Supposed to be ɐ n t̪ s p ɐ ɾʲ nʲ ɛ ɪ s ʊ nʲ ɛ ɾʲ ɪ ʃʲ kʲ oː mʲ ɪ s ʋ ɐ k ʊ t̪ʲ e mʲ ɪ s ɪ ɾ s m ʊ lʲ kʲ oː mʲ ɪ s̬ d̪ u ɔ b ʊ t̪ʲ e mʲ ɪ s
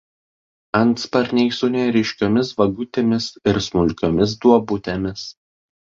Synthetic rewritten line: ɐ n t̪ s p ɐ ɾʲ nʲ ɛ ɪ s ʊ nʲ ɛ ɾʲ ɪ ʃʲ kʲ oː mʲ ɪ s ʋ ɐ ɡ ʊ t̪ʲ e mʲ ɪ s ɪ ɾ s m ʊ lʲ kʲ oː mʲ ɪ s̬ d̪ u ɔ b ʊ t̪ʲ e mʲ ɪ s